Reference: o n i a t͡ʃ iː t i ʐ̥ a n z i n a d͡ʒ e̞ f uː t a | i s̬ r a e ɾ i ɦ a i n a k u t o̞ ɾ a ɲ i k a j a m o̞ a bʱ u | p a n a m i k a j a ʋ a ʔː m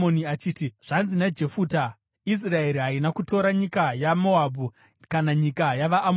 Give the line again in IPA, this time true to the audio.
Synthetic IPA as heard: o n i a t͡ʃ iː t i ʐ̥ a n z i n a d͡ʒ e̞ f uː t a | i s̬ r a e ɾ i ɦ a i n a k u t o̞ ɾ a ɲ i k a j a m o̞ a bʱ u | k a n a ɲ i k a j a ʋ a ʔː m